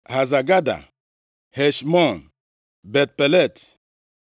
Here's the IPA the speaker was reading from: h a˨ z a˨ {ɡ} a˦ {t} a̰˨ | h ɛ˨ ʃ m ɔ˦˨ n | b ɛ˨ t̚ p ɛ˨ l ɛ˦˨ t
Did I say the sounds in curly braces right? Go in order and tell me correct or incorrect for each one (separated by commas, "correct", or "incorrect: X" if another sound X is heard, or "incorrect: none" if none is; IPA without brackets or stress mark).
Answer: correct, incorrect: d